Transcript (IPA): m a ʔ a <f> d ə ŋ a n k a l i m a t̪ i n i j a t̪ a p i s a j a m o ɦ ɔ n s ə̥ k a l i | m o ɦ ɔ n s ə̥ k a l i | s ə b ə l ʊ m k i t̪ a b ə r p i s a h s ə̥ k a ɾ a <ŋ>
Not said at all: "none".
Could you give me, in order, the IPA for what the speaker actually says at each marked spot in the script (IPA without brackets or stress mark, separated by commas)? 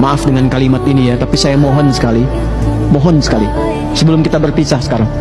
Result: f, ŋ